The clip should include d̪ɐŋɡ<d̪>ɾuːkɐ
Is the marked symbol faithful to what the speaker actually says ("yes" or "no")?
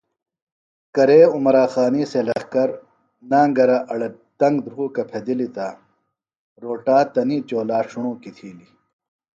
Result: yes